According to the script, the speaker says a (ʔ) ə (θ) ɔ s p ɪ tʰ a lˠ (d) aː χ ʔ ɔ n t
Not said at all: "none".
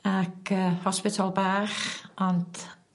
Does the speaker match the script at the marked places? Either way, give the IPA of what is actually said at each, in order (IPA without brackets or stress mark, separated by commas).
k, h, b